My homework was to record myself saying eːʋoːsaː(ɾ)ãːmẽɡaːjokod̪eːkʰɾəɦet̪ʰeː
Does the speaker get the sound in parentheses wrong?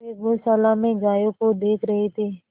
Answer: yes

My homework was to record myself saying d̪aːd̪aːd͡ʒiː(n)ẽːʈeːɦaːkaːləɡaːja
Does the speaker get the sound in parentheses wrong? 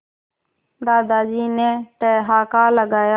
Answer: no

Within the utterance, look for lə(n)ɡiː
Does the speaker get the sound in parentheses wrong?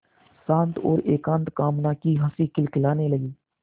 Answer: yes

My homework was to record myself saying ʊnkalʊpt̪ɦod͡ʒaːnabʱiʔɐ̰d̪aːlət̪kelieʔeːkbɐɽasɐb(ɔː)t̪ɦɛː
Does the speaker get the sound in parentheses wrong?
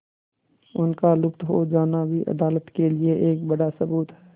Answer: yes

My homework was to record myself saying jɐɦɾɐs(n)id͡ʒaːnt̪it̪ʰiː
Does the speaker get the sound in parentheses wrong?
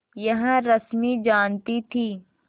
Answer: yes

